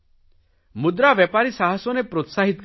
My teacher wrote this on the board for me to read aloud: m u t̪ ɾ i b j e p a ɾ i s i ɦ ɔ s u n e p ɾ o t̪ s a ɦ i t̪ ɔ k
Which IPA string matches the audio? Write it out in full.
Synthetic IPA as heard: m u d̪ ɾ a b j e p a ɾ i s a ɦ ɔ s ɔ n e p ɾ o t̪ s a ɦ i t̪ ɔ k